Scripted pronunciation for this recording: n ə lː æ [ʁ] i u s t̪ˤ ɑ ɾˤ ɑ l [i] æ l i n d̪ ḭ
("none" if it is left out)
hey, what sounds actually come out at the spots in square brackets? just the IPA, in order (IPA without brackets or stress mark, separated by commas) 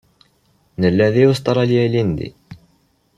ð, j